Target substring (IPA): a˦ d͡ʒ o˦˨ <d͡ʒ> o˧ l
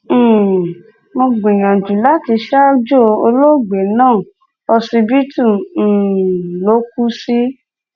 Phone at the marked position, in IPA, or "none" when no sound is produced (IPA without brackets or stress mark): none